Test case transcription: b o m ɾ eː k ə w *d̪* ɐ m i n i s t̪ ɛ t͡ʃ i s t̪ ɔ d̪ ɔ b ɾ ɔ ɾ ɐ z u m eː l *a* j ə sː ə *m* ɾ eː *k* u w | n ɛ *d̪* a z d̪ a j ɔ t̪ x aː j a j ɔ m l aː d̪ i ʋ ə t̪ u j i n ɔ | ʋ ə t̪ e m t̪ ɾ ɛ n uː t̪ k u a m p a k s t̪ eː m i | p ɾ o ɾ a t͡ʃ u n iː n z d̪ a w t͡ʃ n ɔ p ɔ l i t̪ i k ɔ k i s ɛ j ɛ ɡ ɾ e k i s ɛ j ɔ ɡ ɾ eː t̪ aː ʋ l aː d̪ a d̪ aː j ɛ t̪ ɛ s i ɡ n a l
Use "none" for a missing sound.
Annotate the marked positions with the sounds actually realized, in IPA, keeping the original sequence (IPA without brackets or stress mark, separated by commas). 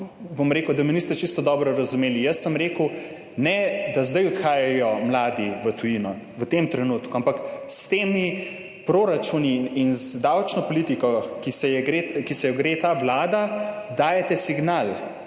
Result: d̪, i, m, k, d̪